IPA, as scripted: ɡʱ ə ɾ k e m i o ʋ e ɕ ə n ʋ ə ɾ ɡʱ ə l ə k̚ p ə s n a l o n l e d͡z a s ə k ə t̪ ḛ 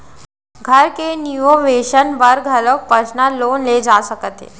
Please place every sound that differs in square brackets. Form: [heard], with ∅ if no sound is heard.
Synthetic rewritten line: ɡʱ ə ɾ k e [n] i o ʋ e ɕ ə n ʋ ə ɾ ɡʱ ə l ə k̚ p ə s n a l o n l e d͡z a s ə k ə t̪ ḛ